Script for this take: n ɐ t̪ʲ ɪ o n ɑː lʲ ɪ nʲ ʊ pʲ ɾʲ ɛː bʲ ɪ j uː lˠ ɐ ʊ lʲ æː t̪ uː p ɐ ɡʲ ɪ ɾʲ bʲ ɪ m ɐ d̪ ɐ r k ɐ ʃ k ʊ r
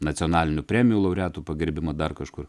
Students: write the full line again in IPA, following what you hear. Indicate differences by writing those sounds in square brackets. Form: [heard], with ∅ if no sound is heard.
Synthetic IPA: n ɐ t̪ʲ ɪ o n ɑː lʲ ɪ nʲ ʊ pʲ ɾʲ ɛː [mʲ] ɪ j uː lˠ ɐ ʊ [ɾʲ] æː t̪ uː p ɐ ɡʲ ɪ ɾʲ bʲ ɪ m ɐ d̪ ɐ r k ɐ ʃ k ʊ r